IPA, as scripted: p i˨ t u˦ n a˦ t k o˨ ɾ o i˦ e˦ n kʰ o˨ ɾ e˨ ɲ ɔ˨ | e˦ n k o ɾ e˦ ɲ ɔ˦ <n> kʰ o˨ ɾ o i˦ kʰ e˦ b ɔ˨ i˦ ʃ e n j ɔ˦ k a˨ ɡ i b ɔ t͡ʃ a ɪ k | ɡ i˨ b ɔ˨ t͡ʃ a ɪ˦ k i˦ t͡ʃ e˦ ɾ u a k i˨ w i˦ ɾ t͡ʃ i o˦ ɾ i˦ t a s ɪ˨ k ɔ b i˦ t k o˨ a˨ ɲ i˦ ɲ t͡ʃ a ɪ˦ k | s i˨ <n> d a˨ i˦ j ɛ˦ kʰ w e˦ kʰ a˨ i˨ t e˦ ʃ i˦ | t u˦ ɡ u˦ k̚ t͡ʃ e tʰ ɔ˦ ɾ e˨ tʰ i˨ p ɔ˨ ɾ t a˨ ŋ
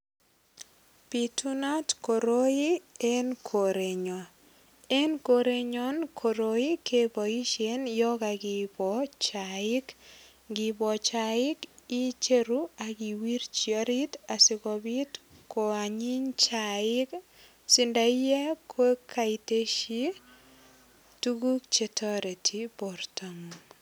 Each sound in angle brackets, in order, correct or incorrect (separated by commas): correct, correct